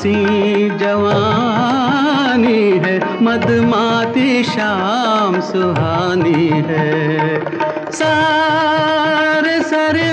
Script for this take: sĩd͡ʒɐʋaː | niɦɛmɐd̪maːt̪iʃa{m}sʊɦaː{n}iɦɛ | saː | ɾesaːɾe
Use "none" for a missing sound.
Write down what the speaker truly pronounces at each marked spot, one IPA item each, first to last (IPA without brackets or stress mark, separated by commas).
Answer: m, n